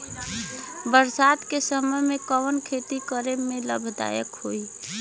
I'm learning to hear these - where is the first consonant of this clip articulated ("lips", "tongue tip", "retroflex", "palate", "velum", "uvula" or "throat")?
lips